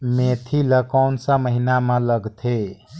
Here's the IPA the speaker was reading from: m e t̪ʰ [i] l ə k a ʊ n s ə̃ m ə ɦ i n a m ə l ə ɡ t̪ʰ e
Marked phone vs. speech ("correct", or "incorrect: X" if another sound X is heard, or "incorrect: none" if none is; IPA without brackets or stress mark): correct